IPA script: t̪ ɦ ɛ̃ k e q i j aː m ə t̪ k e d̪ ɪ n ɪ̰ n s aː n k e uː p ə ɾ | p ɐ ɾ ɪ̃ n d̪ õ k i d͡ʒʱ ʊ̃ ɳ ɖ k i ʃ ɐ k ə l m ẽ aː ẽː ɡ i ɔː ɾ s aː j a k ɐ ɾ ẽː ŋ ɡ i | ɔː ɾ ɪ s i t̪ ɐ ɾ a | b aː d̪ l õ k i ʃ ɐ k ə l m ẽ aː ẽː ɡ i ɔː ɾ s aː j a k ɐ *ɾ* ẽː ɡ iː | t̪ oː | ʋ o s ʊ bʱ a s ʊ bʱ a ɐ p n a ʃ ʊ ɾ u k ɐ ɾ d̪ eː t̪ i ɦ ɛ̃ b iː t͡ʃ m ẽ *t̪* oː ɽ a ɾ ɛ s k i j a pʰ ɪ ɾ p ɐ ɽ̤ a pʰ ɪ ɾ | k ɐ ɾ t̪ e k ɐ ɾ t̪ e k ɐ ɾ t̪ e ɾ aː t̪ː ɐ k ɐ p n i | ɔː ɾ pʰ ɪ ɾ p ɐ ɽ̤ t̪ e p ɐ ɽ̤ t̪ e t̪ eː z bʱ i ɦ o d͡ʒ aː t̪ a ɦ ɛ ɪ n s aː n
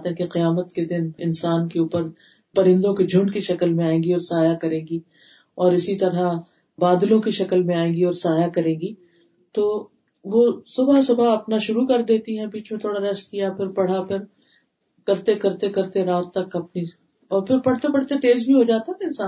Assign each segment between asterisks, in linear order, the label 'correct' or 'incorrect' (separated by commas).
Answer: correct, incorrect